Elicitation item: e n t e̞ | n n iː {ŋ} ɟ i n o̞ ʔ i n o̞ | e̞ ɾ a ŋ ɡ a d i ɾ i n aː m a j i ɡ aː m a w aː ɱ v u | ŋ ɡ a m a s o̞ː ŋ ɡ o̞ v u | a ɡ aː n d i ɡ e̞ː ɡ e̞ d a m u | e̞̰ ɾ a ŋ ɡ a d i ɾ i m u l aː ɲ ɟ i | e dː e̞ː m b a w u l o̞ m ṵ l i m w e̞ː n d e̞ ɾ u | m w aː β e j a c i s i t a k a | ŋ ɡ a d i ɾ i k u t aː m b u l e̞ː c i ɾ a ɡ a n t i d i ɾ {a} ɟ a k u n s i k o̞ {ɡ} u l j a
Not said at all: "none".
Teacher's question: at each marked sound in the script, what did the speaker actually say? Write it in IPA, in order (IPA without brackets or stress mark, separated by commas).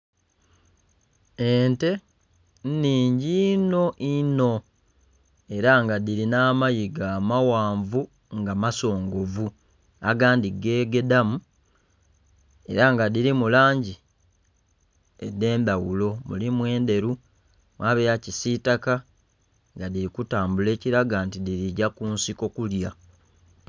ɲ, i, k